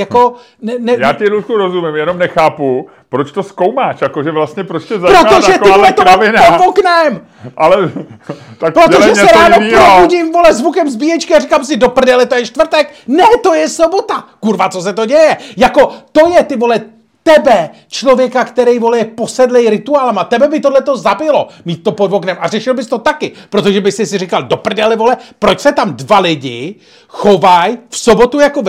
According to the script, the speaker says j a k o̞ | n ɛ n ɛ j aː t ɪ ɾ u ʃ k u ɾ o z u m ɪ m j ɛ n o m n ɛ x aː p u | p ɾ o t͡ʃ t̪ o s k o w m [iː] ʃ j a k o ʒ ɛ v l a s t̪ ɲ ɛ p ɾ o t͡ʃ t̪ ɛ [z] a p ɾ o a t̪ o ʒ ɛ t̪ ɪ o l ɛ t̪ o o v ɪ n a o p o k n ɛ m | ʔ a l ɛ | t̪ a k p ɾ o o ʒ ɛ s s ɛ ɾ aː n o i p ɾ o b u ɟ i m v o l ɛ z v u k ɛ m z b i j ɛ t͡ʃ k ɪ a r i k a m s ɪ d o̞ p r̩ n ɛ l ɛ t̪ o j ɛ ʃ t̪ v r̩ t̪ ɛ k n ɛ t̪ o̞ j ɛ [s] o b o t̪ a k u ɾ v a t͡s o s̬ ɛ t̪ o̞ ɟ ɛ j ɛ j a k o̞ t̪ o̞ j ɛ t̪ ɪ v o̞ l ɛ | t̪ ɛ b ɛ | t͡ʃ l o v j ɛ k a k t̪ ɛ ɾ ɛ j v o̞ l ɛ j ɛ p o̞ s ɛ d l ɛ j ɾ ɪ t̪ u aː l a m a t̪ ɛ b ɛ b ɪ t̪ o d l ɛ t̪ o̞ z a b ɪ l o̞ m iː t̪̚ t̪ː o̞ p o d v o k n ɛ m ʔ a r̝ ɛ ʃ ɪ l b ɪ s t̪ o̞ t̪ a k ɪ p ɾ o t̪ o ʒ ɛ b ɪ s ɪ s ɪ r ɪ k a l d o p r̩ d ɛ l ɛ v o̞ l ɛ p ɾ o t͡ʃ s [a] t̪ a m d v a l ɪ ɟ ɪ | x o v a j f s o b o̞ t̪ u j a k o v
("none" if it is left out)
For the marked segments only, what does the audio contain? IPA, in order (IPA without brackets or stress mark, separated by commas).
aː, z, s, ɛ